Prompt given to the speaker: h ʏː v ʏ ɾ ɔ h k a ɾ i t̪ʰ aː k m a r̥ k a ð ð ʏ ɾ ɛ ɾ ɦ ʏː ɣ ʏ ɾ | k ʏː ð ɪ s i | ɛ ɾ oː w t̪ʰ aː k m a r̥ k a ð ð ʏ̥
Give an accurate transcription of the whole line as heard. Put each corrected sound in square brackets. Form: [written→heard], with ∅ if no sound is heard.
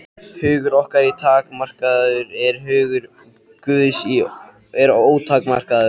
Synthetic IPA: h ʏː [v→ɣ] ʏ ɾ ɔ h k a ɾ i t̪ʰ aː k m a r̥ k a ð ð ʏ ɾ ɛ ɾ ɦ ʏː ɣ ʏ ɾ | k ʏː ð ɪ s i | ɛ ɾ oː w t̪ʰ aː k m a r̥ k a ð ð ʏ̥